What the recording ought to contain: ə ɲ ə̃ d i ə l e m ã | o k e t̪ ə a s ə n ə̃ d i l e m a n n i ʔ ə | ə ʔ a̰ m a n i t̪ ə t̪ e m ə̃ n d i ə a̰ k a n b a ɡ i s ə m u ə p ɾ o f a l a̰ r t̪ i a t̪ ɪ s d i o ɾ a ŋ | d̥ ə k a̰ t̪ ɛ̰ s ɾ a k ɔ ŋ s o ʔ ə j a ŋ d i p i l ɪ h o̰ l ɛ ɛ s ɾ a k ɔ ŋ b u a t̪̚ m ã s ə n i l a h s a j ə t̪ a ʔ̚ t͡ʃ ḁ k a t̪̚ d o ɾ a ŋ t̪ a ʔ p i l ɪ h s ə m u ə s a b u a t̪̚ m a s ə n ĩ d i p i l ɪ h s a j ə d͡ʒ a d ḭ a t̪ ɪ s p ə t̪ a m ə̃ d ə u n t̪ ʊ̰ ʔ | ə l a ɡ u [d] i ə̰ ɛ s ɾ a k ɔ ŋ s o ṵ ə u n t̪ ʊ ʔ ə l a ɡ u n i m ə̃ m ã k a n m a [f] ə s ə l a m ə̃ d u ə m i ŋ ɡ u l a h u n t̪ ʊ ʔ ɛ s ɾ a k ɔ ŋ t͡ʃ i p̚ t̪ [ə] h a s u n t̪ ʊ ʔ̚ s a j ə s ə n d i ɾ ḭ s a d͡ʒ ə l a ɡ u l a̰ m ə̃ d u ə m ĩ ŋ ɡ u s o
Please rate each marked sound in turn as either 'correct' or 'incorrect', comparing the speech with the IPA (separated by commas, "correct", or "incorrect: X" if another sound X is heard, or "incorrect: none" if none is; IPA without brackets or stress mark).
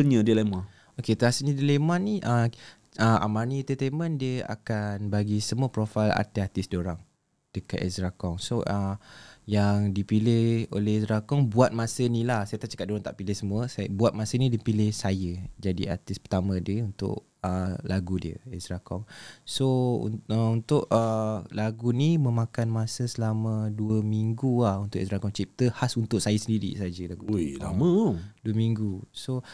correct, incorrect: s, correct